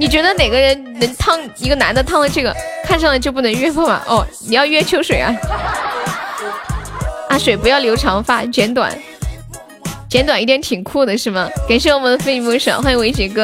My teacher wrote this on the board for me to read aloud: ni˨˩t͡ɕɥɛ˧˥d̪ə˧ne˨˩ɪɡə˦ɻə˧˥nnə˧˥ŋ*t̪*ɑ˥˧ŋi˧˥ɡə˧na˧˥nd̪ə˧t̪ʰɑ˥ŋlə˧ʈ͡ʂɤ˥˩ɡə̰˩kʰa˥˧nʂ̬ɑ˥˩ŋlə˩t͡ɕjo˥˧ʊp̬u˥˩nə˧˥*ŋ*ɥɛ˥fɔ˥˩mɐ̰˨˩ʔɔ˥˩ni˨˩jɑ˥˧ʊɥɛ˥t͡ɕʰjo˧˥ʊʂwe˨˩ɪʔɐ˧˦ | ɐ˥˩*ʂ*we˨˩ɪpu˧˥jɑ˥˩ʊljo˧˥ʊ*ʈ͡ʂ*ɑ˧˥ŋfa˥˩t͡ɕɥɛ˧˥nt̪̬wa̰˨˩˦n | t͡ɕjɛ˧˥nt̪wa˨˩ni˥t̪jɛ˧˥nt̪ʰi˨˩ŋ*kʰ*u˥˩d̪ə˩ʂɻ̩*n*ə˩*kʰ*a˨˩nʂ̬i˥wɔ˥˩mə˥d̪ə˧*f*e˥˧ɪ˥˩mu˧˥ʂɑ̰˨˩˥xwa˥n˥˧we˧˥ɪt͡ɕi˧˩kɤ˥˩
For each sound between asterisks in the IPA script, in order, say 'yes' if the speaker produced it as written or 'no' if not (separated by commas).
no, yes, yes, no, yes, no, no, yes